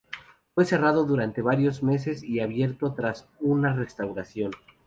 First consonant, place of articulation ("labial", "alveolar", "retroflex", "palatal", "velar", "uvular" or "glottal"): labial